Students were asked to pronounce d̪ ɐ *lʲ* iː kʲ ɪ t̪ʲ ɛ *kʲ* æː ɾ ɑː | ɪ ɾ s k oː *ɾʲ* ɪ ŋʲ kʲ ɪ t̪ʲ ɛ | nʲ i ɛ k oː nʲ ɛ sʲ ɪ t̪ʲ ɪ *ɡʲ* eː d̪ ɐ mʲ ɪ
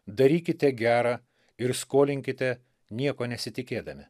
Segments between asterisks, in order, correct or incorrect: incorrect, incorrect, incorrect, incorrect

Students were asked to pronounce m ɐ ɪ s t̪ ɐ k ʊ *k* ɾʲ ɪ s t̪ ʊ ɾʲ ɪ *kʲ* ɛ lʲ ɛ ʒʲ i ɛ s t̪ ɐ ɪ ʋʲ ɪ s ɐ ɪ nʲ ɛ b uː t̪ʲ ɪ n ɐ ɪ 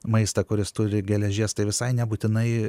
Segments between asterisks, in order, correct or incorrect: incorrect, incorrect

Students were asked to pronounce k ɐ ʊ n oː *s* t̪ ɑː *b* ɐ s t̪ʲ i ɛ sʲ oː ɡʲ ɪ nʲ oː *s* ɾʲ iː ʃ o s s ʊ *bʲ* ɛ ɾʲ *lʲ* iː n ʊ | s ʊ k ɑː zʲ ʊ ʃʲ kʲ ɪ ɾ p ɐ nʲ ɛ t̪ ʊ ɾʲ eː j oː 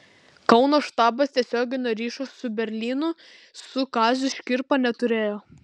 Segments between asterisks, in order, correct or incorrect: incorrect, correct, incorrect, correct, correct

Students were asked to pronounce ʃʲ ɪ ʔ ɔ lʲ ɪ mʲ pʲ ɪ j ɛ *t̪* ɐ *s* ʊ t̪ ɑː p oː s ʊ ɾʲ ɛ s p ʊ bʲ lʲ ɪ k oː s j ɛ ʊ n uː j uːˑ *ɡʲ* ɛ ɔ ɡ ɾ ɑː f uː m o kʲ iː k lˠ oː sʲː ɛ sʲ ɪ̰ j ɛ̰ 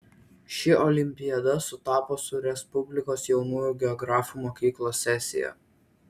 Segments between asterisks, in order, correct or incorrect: incorrect, correct, correct

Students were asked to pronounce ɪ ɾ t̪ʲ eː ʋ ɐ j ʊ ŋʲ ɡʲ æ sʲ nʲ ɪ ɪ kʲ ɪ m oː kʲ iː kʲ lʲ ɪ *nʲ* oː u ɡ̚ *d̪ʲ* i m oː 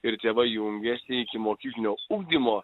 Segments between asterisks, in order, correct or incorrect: correct, correct

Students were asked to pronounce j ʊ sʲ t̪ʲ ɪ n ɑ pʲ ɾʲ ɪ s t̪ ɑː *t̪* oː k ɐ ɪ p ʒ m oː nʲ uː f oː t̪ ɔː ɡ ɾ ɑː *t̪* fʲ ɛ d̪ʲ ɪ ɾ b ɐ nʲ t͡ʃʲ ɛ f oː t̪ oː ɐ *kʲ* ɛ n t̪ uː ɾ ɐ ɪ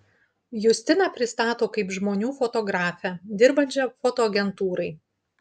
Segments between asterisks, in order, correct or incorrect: correct, incorrect, incorrect

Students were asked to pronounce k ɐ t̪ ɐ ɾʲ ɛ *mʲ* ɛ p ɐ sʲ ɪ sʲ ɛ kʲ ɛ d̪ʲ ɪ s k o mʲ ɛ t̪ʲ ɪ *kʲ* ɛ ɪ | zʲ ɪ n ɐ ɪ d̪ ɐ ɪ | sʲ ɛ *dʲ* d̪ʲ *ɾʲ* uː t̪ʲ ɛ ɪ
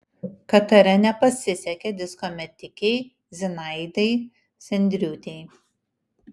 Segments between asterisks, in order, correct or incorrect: incorrect, correct, incorrect, correct

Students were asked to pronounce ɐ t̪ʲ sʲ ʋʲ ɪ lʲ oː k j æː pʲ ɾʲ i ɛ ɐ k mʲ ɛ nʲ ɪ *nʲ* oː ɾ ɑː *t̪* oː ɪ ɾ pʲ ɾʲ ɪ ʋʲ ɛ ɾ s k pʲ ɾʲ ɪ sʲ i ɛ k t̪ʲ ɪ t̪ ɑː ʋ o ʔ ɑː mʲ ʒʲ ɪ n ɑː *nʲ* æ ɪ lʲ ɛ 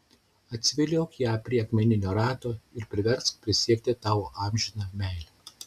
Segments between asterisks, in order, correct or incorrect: correct, correct, incorrect

